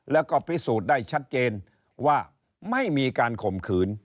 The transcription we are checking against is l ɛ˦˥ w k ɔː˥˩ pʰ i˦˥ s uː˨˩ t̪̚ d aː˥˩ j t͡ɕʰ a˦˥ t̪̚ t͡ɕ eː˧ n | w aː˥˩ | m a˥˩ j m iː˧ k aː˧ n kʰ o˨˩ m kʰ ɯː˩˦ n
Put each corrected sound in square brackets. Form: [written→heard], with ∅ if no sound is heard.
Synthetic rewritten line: l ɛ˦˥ w k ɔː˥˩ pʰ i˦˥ s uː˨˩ t̪̚ d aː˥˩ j t͡ɕʰ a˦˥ t̪̚ t͡ɕ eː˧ n | w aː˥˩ | m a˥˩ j m iː˧ k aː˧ n kʰ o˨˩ m kʰ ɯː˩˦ n